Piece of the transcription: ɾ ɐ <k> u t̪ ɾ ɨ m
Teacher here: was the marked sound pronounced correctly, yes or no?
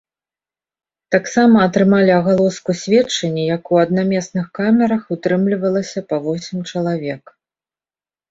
no